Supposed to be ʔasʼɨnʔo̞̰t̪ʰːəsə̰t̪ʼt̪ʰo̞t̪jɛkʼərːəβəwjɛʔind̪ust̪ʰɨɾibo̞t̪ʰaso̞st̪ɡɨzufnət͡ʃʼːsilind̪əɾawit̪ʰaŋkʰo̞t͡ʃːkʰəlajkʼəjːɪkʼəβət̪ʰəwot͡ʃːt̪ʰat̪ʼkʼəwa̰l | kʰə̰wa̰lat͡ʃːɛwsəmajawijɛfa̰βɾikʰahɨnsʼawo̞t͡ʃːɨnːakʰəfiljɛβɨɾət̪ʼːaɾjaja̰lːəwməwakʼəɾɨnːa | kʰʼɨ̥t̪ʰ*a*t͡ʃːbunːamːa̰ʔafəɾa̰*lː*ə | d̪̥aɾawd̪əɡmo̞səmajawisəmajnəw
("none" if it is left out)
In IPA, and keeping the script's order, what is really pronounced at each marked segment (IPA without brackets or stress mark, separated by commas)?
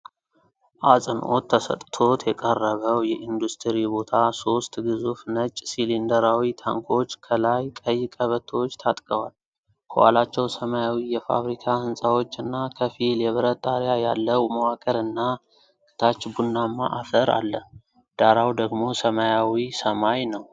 a, lː